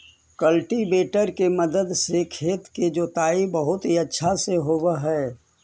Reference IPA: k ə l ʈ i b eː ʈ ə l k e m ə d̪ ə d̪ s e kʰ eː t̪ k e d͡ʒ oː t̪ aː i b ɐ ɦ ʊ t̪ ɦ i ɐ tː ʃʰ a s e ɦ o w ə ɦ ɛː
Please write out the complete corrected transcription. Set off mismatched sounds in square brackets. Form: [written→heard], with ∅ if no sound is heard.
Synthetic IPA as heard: k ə l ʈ i b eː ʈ ə [l→ɾ] k e m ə d̪ ə d̪ s e kʰ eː t̪ k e d͡ʒ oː t̪ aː i b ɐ ɦ ʊ t̪ ɦ i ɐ tː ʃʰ a s e ɦ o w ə ɦ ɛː